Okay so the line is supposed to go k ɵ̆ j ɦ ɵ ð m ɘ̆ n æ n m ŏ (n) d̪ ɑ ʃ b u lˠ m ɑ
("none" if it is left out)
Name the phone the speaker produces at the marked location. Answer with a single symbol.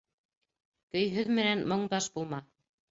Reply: ɴ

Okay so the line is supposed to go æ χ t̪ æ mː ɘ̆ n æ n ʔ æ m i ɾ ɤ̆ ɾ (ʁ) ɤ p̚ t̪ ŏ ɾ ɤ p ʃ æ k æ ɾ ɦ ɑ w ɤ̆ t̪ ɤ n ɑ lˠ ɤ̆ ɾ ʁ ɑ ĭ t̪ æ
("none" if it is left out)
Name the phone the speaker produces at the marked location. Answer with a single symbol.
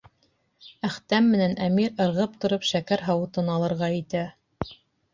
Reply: ʁ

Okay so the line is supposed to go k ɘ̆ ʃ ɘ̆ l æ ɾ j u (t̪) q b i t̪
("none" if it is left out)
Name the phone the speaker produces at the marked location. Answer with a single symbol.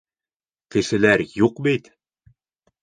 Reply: none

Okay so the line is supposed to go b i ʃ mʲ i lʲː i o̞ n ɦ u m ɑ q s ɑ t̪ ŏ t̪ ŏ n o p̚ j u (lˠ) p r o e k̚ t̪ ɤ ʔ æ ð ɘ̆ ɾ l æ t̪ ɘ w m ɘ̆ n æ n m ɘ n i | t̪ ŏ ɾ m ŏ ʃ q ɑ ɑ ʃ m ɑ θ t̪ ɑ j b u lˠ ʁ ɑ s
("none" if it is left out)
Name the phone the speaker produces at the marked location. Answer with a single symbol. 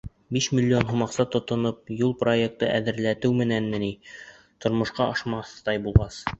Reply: lˠ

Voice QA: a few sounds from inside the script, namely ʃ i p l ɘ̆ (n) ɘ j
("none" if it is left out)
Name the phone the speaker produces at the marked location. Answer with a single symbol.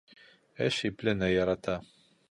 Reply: n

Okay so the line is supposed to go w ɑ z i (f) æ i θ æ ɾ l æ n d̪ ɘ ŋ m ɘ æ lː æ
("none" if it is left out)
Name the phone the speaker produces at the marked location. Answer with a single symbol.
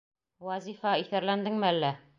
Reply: f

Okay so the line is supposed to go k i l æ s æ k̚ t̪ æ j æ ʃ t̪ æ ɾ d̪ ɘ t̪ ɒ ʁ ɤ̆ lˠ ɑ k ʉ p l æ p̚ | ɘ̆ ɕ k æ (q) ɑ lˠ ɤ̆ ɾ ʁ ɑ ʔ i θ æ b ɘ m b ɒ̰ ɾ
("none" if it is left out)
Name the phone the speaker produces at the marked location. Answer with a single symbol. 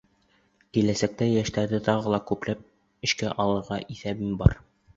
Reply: ʔ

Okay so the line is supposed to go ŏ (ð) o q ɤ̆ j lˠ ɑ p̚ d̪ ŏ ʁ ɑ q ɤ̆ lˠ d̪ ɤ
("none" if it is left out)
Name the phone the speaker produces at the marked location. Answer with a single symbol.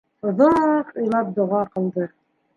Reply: ð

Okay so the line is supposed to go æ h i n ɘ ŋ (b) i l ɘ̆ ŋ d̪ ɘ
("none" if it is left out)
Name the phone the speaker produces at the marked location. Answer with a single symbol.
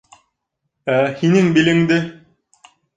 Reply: b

